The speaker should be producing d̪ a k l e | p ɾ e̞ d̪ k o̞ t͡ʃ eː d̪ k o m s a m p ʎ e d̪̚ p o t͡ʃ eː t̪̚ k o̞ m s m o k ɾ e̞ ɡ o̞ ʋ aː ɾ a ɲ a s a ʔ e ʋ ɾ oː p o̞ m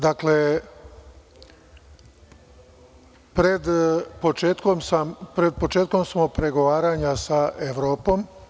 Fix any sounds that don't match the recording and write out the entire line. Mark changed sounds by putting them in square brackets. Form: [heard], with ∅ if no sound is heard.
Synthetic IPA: d̪ a k l e | p ɾ e̞ d̪ [p] o̞ t͡ʃ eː [t̪] k o m s a m p [ɾ] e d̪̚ p o t͡ʃ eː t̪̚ k o̞ m s m o [p] ɾ e̞ ɡ o̞ ʋ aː ɾ a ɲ a s a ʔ e ʋ ɾ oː p o̞ m